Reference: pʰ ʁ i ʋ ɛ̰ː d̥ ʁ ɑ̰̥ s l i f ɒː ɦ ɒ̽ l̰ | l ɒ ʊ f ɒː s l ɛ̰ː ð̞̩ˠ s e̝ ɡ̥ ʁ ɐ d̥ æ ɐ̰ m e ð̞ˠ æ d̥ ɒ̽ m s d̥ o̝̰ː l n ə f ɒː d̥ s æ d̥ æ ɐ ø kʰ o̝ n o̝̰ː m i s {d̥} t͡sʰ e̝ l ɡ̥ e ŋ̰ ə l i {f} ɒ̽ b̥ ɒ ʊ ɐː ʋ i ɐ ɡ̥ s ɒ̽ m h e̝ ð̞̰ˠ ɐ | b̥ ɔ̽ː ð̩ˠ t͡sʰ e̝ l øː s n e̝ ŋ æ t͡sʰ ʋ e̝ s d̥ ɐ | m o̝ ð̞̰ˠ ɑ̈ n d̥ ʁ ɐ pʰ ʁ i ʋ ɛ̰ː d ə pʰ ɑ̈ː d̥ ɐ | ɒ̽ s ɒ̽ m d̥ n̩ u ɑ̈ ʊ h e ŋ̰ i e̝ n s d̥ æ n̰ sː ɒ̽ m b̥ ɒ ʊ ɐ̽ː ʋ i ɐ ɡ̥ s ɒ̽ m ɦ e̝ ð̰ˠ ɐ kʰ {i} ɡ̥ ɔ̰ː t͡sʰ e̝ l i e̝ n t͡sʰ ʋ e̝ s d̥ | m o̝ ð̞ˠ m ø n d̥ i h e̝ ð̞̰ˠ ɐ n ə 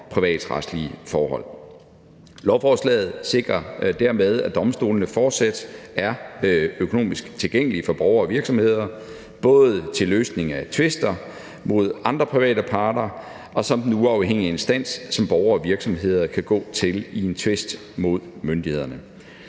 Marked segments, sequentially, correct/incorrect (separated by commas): incorrect, correct, incorrect